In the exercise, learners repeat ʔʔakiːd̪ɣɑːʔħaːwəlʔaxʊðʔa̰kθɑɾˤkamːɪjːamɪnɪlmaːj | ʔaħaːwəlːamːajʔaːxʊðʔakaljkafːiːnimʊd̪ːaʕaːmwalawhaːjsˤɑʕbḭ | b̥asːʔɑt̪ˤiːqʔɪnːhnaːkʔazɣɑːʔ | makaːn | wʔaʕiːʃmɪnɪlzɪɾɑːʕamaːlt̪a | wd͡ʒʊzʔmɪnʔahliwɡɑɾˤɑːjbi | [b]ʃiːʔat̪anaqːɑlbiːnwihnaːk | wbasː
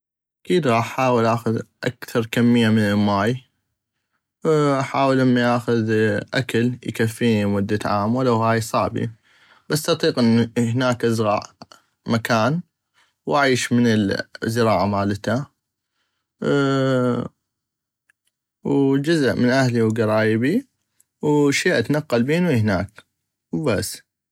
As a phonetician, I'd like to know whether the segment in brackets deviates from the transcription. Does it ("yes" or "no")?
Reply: yes